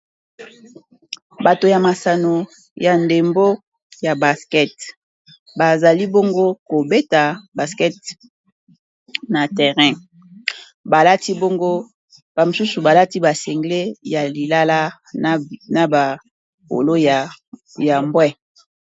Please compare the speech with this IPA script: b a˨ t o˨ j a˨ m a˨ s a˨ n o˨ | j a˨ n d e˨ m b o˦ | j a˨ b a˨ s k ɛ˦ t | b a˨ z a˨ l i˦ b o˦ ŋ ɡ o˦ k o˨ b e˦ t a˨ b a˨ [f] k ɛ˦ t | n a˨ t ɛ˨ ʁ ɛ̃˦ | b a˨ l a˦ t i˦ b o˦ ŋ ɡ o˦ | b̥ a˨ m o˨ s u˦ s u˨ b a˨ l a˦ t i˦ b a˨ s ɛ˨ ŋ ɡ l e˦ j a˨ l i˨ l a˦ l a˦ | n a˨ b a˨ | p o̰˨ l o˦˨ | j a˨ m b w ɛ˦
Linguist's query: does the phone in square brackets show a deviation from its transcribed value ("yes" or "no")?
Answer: yes